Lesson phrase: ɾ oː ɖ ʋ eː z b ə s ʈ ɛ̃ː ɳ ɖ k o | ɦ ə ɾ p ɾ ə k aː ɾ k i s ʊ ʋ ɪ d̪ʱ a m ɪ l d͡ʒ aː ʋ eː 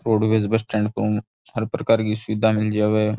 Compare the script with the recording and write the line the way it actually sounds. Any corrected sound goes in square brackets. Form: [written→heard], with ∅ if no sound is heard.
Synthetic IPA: ɾ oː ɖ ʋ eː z b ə s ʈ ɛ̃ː ɳ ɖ k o | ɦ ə ɾ p ɾ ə k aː ɾ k i s ʊ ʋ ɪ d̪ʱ a m ɪ l d͡ʒ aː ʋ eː